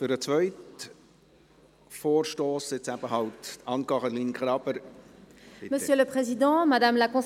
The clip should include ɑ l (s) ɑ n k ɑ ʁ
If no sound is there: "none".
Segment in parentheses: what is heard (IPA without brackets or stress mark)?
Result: t